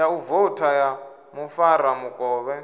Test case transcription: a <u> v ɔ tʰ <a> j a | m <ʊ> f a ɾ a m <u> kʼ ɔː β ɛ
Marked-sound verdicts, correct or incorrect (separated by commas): correct, correct, incorrect, correct